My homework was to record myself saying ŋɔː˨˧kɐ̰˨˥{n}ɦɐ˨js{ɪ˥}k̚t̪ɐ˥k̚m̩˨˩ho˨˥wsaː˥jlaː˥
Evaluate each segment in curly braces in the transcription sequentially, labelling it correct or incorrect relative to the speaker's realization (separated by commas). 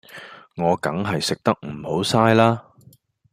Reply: incorrect, incorrect